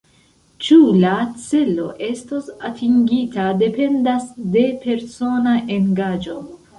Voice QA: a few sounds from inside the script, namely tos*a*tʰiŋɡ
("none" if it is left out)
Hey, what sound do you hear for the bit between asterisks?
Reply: a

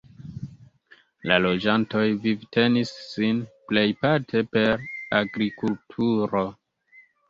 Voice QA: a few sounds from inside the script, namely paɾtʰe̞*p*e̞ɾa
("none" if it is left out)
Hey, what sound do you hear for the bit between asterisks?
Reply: p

